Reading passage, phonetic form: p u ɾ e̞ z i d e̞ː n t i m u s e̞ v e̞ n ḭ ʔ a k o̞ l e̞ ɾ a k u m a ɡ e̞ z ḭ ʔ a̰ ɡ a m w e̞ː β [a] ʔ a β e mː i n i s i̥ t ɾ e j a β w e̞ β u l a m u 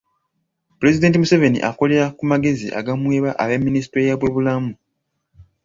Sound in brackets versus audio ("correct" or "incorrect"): correct